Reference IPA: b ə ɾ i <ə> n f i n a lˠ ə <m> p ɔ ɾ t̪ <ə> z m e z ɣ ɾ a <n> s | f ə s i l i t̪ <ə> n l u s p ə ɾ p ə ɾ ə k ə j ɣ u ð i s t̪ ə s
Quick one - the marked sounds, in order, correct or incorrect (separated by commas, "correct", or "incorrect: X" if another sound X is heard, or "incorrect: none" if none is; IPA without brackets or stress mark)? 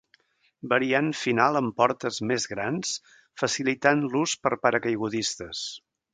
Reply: incorrect: a, correct, correct, correct, incorrect: a